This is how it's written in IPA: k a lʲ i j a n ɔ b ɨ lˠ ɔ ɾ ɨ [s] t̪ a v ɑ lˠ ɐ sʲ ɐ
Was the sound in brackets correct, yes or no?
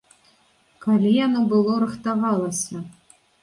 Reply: no